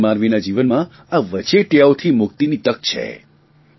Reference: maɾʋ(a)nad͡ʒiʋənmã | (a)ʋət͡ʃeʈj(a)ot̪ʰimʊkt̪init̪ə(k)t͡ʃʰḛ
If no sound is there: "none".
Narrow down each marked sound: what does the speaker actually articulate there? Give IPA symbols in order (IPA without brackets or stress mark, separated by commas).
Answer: i, a, a, k